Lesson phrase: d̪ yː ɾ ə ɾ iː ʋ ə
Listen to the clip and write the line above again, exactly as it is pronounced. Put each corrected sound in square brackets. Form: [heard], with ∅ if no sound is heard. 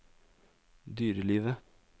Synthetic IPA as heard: d̪ yː ɾ ə [l] iː ʋ ə